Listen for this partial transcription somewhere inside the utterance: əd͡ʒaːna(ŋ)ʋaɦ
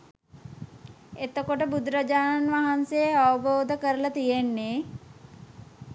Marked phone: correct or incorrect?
incorrect